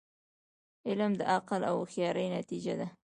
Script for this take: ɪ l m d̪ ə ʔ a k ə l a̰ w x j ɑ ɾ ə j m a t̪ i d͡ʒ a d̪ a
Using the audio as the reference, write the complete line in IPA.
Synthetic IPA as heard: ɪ l m d̪ ə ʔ a q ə l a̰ w x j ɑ ɾ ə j n a t̪ i d͡ʒ a d̪ a